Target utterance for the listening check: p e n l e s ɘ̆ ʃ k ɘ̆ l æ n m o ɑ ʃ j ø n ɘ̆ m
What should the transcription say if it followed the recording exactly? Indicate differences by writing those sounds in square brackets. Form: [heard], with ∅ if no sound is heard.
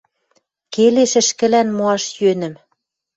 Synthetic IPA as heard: [k] e [∅] l e [ʃ] ɘ̆ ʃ k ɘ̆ l æ n m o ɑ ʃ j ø n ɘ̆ m